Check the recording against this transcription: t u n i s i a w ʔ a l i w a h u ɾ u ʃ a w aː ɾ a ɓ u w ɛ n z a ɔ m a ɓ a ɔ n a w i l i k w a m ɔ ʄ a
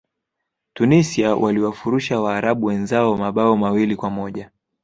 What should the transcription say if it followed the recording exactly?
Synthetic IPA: t u n i s i a w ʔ a l i w a f u ɾ u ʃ a w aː ɾ a ɓ u w ɛ n z a ɔ m a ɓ a ɔ m a w i l i k w a m ɔ ʄ a